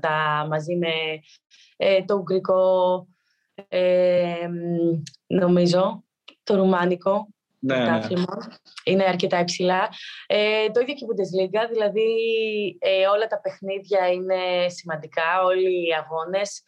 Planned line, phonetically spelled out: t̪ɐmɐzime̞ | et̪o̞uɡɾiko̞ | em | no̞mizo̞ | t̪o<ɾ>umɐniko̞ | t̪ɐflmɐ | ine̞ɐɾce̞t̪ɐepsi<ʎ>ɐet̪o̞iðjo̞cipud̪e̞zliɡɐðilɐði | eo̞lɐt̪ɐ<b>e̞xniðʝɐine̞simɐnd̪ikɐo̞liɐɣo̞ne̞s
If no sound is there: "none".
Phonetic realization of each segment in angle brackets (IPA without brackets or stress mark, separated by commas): ɾ, l, p